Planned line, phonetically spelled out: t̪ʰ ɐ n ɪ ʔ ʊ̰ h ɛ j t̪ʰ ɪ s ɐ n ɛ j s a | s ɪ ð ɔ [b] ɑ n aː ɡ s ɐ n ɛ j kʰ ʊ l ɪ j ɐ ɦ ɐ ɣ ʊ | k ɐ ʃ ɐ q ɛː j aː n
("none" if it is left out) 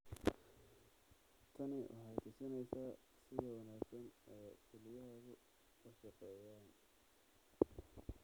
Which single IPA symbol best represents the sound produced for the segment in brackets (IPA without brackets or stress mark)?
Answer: w